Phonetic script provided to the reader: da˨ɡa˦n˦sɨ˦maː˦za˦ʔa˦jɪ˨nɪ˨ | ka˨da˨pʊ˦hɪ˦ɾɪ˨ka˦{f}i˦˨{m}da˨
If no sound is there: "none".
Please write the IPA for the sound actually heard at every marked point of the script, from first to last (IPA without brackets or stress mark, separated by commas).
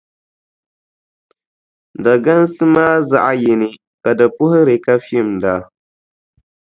f, m